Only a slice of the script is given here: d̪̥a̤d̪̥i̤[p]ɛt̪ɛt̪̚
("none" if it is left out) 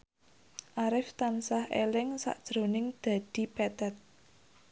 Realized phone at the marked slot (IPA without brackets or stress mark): p